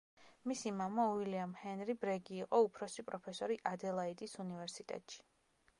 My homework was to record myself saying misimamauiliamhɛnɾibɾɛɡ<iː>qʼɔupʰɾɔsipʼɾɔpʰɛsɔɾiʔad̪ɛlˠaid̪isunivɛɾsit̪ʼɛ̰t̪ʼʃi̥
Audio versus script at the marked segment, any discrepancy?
no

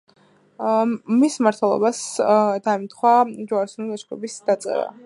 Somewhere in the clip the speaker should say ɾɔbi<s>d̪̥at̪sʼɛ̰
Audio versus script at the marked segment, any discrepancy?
no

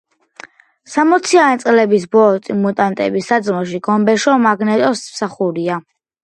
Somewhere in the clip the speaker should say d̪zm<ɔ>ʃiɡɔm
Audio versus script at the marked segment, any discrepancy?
no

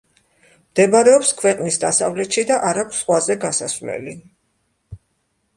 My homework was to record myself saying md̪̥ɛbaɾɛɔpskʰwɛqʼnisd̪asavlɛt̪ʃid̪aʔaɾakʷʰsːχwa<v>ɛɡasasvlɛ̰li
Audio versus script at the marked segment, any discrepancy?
yes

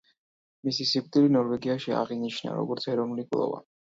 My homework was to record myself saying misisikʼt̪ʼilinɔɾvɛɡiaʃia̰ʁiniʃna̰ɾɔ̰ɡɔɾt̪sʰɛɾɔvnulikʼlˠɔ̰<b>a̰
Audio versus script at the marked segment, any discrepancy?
yes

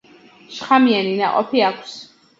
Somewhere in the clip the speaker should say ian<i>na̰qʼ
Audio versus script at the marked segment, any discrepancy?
no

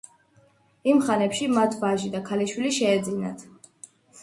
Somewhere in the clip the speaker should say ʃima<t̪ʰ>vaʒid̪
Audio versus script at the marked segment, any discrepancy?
no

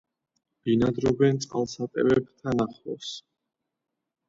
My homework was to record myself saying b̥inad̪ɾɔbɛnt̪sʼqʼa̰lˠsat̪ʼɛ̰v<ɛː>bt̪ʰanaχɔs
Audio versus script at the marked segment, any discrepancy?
yes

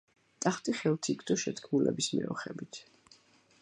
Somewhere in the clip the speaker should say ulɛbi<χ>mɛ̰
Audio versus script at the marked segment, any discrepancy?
yes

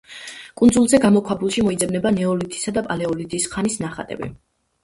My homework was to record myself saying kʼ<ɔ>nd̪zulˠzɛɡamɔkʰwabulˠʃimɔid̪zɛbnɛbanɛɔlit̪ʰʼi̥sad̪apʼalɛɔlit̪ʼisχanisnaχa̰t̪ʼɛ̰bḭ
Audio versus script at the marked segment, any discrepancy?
yes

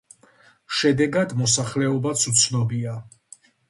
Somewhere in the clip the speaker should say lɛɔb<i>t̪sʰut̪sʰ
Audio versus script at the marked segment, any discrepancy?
yes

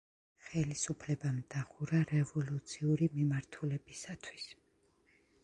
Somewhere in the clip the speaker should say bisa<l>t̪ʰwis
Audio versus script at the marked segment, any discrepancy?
yes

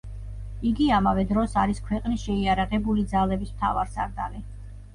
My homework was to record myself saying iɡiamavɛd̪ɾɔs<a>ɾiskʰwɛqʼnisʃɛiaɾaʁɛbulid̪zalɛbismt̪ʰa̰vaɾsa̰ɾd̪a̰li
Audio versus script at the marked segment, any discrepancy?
no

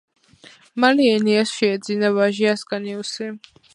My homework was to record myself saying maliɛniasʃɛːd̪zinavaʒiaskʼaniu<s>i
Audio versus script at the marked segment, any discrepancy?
no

